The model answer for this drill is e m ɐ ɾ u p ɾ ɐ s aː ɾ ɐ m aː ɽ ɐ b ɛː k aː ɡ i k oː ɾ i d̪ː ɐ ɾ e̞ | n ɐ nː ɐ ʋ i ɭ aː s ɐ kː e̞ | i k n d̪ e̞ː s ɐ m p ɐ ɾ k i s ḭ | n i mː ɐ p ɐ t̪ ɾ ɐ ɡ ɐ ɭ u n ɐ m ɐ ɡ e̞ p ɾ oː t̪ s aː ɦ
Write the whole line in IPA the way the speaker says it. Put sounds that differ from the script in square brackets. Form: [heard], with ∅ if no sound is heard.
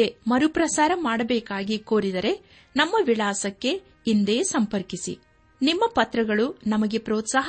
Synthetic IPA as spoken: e m ɐ ɾ u p ɾ ɐ s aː ɾ ɐ m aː ɽ ɐ b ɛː k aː ɡ i k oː ɾ i [d̪] ɐ ɾ e̞ | n ɐ [mː] ɐ ʋ i ɭ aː s ɐ kː e̞ | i [∅] n d̪ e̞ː s ɐ m p ɐ ɾ k i s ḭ | n i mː ɐ p ɐ t̪ ɾ ɐ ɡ ɐ ɭ u n ɐ m ɐ ɡ e̞ p ɾ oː t̪ s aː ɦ